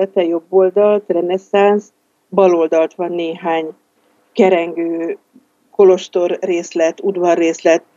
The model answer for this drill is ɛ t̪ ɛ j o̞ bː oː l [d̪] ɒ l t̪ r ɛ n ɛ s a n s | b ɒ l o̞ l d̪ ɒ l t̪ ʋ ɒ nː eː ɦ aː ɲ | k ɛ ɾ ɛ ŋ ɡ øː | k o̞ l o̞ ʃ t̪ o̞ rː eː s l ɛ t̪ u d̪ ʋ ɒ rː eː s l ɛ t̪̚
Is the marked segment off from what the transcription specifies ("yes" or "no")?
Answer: no